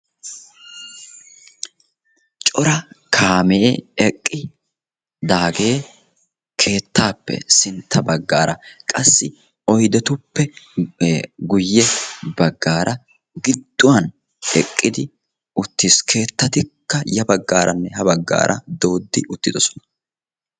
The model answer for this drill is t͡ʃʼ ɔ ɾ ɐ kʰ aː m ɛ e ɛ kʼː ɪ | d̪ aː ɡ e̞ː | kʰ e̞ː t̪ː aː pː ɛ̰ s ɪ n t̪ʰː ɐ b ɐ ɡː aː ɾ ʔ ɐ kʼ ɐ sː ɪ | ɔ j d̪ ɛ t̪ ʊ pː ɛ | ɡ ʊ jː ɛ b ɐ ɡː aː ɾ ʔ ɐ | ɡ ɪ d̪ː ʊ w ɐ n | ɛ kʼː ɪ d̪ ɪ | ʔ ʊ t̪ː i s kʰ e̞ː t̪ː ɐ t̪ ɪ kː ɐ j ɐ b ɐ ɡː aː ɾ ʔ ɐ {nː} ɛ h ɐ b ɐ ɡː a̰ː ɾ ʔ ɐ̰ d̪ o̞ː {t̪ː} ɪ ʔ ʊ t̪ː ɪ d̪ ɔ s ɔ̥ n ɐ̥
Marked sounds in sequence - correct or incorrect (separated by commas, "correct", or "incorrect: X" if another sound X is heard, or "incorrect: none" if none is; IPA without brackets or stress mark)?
correct, incorrect: d̪ː